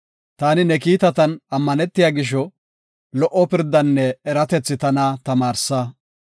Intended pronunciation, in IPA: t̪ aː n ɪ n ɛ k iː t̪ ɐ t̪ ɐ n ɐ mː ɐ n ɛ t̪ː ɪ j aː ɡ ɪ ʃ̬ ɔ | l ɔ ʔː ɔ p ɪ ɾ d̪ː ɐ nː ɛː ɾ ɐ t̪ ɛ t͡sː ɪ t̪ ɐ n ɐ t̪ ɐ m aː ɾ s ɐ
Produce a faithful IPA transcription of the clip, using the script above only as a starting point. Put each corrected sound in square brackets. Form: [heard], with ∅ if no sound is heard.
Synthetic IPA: t̪ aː n ɪ n ɛ k iː t̪ ɐ t̪ ɐ n ɐ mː ɐ n ɛ t̪ː ɪ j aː ɡ ɪ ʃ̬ ɔ | l ɔ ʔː ɔ p ɪ ɾ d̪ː ɐ nː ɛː ɾ ɐ t̪ ɛ t͡sː ɪ t̪ ɐ n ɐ t̪ ɐ m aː ɾ s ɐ